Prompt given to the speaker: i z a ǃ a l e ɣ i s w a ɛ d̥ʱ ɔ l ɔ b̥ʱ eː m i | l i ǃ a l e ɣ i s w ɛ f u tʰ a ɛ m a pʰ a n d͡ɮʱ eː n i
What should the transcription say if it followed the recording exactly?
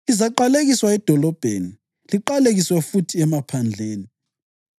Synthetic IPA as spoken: i z a ǃ a l e ɣ i s w a ɛ d̥ʱ ɔ l ɔ b̥ʱ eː n i | l i ǃ a l e ɣ i s w ɛ f u tʰ i ɛ m a pʰ a n d͡ɮʱ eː n i